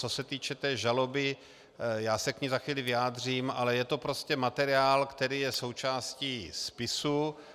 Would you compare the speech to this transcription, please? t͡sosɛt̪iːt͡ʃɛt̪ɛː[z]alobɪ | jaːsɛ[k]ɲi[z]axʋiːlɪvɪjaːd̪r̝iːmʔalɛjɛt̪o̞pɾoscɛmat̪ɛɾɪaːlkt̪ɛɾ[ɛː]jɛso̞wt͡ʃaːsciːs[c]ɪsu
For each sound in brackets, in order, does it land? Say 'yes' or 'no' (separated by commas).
no, yes, yes, no, no